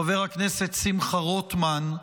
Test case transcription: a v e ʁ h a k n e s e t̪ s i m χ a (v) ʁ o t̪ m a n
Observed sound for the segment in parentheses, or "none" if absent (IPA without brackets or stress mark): none